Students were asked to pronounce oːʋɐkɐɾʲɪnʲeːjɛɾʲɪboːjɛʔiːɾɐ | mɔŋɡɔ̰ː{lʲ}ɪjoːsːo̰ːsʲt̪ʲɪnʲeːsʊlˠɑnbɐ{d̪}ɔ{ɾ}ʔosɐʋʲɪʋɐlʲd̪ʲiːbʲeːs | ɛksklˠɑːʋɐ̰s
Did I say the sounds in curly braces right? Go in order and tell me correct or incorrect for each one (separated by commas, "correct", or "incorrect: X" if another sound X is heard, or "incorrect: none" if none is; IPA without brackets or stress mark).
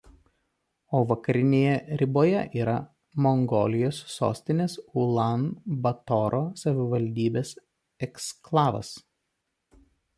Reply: correct, incorrect: t̪, correct